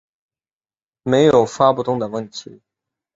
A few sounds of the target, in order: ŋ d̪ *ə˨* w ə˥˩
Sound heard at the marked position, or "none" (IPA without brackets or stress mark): ə˨